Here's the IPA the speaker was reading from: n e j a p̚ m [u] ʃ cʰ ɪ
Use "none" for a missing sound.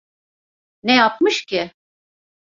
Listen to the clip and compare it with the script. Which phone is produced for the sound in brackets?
ɯ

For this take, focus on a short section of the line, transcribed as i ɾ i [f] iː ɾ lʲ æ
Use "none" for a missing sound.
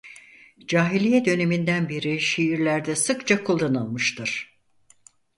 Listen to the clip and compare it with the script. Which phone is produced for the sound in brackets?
ʃ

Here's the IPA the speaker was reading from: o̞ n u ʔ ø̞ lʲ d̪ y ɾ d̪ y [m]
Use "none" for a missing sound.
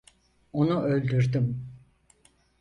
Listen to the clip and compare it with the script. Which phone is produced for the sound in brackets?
m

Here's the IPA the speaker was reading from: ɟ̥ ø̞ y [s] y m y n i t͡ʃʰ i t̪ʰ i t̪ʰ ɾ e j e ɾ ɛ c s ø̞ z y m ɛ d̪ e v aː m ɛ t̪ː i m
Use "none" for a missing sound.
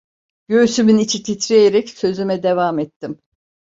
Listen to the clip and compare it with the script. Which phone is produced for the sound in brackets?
s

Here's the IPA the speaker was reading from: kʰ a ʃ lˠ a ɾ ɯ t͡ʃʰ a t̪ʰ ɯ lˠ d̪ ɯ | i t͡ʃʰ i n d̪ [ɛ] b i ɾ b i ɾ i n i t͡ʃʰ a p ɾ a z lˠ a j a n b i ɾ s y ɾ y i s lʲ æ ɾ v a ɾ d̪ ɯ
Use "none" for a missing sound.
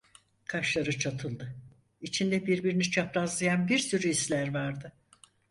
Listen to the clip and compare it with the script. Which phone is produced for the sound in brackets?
ɛ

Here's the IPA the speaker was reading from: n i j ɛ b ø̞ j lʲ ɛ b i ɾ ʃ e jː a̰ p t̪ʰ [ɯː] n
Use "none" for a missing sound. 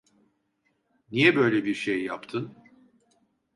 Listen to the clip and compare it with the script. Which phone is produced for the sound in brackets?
ɯ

